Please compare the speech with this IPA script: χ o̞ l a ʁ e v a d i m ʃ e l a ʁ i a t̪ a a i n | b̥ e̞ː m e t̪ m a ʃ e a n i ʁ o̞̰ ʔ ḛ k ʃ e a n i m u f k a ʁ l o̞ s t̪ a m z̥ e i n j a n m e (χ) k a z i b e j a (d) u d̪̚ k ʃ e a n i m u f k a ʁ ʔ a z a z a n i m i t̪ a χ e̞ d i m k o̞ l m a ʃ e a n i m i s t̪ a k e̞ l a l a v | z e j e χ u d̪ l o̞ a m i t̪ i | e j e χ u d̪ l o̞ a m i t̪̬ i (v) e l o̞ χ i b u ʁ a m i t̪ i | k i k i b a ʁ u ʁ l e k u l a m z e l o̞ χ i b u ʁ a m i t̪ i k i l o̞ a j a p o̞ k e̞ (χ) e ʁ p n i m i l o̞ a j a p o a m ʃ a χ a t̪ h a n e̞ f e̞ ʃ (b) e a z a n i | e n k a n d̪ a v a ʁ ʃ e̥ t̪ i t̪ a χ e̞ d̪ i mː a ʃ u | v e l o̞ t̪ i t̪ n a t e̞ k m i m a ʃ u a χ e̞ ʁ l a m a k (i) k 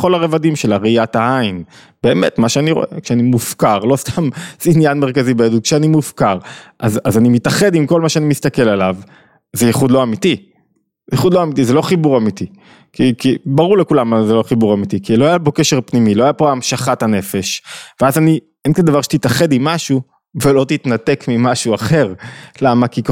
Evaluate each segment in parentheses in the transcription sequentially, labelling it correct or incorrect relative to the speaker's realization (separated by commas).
incorrect, correct, incorrect, incorrect, incorrect, correct